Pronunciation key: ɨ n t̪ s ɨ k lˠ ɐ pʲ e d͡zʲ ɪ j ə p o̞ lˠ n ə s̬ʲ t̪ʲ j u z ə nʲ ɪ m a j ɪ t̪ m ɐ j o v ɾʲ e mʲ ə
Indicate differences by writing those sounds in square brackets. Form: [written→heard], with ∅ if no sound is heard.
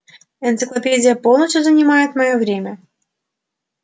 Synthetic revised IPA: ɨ n t̪ s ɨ k lˠ ɐ pʲ e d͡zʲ ɪ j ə p o̞ lˠ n ə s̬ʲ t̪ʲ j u z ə nʲ ɪ m a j ɪ t̪ m ɐ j o v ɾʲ e mʲ ə